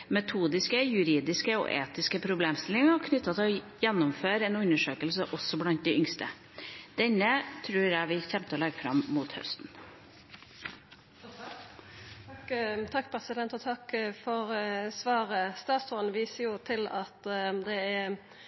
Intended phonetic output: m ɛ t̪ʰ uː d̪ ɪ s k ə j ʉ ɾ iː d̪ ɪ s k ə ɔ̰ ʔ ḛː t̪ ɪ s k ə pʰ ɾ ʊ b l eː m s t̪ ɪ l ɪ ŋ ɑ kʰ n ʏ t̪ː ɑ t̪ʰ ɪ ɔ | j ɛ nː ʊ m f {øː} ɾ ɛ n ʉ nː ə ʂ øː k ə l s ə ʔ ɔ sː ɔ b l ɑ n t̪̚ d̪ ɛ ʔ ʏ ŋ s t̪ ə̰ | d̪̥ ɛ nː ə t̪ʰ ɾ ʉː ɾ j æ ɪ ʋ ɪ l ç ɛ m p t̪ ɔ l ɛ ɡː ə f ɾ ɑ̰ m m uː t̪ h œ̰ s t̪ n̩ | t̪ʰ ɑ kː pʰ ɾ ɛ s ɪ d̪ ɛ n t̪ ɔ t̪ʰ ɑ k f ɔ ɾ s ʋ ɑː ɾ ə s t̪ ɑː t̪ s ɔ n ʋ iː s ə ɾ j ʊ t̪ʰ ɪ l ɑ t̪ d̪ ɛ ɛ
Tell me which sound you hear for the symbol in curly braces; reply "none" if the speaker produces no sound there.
øː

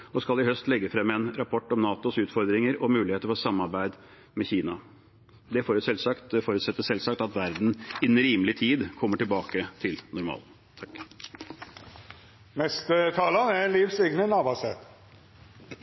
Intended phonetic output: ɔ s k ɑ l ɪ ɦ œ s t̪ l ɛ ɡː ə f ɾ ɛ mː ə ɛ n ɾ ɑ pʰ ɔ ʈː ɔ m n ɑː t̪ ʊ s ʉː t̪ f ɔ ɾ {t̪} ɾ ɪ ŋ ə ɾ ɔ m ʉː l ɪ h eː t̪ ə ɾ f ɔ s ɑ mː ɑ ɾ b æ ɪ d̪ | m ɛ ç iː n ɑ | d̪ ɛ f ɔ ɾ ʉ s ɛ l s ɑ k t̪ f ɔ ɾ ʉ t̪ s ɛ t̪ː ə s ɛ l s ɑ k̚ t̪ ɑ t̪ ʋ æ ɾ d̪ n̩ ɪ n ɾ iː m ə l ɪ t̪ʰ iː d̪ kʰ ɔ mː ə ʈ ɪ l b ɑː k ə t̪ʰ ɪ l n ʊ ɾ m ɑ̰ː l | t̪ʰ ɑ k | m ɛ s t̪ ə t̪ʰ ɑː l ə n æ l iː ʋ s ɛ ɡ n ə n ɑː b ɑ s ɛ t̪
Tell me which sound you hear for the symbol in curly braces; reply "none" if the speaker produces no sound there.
d̪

